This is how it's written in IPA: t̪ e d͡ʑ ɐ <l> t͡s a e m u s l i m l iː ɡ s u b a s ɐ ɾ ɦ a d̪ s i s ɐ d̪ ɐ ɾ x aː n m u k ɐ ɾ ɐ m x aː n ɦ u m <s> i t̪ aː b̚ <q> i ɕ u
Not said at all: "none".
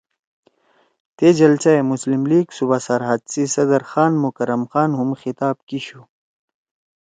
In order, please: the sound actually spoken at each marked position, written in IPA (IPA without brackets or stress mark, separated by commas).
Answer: l, x, k